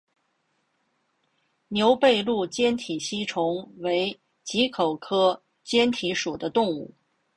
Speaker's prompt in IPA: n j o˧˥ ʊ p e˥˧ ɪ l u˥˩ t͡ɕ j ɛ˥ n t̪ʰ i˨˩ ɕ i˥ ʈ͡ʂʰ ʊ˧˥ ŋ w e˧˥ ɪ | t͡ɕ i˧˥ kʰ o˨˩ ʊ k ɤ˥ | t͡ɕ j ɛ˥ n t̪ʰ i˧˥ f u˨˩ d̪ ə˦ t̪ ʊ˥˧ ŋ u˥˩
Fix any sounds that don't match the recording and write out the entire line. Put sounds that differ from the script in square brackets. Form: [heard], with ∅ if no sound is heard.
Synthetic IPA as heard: n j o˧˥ ʊ p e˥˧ ɪ l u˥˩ t͡ɕ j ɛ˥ n t̪ʰ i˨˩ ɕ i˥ ʈ͡ʂʰ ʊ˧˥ ŋ w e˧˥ ɪ | t͡ɕ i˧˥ kʰ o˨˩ ʊ [kʰ] ɤ˥ | t͡ɕ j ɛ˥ n t̪ʰ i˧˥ [ʂ] u˨˩ d̪ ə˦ t̪ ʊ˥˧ ŋ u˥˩